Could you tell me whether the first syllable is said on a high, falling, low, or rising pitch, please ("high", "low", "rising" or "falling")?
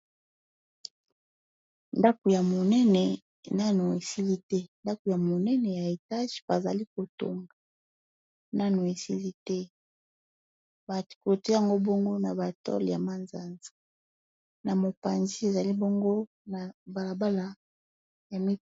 high